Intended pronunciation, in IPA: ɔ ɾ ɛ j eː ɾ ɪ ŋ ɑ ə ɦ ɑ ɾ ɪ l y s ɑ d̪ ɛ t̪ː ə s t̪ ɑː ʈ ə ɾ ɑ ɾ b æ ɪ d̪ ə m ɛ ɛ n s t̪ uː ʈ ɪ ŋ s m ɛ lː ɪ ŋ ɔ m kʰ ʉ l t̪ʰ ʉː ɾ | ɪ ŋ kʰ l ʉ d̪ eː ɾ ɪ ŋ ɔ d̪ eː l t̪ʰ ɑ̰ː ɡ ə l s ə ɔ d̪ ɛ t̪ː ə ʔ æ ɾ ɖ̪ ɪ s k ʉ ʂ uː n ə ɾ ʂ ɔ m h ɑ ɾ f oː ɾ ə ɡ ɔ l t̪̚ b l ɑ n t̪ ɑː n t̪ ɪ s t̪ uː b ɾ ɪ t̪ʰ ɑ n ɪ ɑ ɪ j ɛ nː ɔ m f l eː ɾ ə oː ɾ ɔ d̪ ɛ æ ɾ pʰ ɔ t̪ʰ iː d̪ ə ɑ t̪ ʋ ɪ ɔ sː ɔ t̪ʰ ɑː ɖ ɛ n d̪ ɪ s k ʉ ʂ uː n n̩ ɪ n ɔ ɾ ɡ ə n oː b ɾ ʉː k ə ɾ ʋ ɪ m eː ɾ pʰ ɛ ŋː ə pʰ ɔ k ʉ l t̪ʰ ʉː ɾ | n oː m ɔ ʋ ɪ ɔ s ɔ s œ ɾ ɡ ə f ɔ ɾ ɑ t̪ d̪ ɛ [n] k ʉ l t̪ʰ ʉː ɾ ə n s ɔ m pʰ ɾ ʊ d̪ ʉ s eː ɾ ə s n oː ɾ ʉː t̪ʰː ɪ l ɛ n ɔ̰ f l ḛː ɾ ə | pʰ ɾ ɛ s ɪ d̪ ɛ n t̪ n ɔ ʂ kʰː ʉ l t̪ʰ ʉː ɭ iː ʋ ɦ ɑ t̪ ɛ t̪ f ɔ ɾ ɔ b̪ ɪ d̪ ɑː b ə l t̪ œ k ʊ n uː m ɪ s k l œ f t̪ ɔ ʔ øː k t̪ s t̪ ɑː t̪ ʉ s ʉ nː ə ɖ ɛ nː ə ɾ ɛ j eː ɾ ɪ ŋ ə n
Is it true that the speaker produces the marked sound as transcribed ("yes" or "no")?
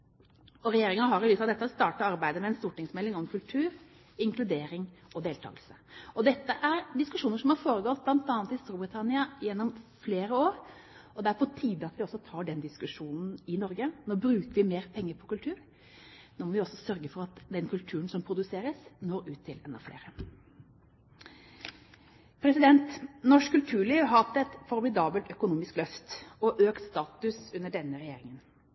yes